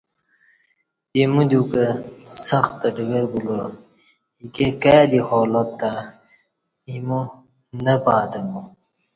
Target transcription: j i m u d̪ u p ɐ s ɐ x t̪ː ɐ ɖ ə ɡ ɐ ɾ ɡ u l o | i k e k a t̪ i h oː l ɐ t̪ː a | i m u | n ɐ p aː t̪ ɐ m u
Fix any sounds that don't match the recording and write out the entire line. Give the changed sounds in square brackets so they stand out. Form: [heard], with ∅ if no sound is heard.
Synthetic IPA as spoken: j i m u d̪ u [k] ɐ s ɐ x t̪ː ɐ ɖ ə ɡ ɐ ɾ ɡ u l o | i k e k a [d̪] i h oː l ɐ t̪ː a | i m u | n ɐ p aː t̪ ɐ m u